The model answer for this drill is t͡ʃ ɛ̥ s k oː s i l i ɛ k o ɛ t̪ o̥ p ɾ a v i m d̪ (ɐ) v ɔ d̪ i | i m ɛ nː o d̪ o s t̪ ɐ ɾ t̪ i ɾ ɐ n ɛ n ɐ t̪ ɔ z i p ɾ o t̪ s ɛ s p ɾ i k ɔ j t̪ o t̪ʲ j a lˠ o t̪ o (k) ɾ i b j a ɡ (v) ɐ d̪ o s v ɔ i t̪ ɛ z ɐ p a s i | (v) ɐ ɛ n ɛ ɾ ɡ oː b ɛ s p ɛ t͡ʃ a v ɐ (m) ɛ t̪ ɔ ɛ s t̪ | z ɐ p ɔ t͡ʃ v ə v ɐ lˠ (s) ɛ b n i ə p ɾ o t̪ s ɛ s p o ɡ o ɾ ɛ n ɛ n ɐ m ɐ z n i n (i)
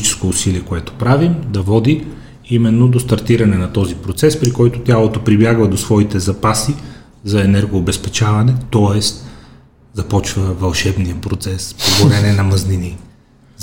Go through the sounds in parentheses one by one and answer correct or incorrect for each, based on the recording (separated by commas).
correct, incorrect, correct, incorrect, incorrect, incorrect, correct